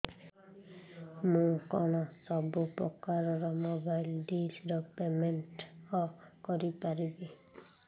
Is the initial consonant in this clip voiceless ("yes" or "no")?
no